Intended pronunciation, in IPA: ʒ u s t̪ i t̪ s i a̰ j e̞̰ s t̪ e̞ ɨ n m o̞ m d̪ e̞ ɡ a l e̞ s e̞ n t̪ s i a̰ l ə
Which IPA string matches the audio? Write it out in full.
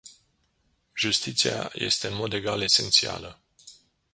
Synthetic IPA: ʒ u s t̪ i t̪ s i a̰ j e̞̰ s t̪ e̞ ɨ n m o̞ d̪ e̞ ɡ a l e̞ s e̞ n t̪ s i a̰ l ə

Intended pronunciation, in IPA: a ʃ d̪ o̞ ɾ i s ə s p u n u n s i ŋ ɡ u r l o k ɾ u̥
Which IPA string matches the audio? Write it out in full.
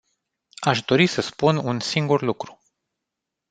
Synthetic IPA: a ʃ d̪ o̞ ɾ i s ə s p u n u n s i ŋ ɡ u r l u k ɾ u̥

